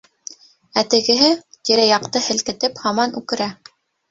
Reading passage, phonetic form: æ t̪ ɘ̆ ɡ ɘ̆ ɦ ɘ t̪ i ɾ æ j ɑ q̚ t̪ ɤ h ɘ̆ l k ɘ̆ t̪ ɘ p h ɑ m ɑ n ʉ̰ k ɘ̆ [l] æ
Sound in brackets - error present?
yes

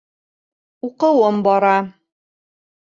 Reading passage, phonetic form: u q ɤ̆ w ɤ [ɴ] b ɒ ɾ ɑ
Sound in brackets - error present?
yes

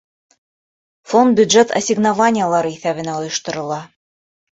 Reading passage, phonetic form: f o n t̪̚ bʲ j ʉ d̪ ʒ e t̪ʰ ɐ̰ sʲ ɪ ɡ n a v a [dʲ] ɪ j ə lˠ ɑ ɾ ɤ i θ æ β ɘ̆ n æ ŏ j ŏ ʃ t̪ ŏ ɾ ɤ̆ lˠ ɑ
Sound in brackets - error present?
yes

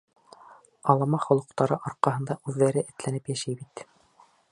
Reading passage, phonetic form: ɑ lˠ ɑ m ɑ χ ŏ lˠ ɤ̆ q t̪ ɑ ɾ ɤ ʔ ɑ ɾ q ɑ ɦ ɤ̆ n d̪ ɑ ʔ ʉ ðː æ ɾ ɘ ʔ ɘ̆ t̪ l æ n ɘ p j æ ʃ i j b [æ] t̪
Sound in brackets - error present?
yes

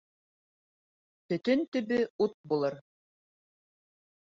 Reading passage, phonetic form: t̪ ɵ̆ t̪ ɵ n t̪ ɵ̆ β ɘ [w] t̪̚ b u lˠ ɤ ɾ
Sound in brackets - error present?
yes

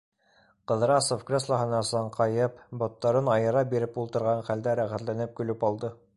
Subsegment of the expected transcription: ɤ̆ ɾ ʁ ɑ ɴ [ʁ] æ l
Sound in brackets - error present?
yes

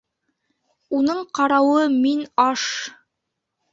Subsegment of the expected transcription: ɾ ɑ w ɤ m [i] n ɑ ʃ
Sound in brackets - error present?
no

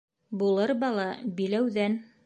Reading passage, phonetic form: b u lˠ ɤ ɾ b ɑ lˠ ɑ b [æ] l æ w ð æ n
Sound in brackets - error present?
yes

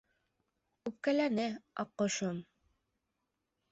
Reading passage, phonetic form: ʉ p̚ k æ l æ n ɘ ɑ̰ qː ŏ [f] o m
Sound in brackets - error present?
yes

